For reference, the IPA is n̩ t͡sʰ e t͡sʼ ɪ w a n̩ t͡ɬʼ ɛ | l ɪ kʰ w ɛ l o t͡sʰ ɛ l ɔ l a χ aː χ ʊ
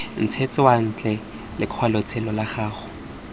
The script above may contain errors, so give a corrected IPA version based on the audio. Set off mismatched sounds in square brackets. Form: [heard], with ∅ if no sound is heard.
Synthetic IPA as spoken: n̩ t͡sʰ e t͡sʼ ɪ w a n̩ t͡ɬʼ ɛ | l ɪ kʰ w [a] l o t͡sʰ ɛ l ɔ l a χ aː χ ʊ